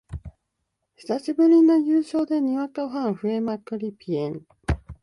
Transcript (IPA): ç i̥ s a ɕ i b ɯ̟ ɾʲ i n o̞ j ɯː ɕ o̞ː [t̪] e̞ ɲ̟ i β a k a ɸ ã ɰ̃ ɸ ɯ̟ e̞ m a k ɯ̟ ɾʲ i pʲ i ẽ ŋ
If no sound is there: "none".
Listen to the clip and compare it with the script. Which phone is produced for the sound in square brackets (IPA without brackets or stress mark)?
d̪